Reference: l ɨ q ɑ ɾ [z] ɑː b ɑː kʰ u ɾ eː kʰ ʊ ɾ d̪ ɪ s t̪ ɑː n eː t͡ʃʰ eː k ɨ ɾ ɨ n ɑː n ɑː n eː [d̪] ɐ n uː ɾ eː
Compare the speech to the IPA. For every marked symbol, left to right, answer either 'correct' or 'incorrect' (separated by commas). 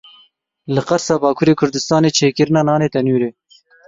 incorrect, incorrect